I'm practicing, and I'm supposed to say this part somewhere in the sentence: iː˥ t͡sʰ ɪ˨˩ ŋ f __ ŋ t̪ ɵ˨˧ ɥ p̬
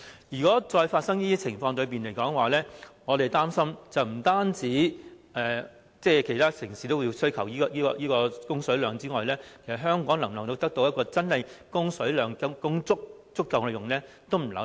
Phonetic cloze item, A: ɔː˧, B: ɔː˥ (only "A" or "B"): A